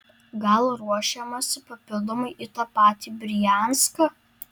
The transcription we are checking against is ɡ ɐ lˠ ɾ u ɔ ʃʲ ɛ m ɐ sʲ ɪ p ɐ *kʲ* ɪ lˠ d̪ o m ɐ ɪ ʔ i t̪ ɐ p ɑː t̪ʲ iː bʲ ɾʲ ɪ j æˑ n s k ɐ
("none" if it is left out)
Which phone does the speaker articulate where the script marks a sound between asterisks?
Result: pʲ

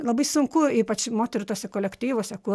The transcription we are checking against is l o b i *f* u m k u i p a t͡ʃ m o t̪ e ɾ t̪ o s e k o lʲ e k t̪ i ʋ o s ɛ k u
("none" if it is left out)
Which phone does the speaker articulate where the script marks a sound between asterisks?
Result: s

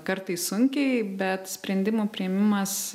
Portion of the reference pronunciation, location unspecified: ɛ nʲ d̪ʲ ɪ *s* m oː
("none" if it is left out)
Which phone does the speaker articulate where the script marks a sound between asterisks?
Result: none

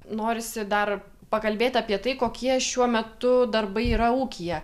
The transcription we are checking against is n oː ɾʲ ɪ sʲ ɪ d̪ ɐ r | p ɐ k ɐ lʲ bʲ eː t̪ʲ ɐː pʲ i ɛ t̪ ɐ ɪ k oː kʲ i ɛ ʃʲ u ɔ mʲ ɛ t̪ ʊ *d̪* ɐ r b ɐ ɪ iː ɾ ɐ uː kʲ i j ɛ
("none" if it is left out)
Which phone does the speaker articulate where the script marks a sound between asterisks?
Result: d̪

